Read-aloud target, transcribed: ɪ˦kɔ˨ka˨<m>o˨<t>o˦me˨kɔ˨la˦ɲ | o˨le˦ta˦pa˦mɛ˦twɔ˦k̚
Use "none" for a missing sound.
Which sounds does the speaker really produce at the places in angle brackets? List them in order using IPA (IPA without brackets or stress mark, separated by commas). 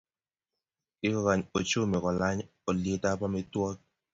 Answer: ɲ, t͡ʃ